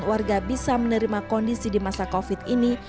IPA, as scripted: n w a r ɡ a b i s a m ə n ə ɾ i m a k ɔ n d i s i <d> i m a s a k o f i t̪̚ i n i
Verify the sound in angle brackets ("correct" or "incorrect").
correct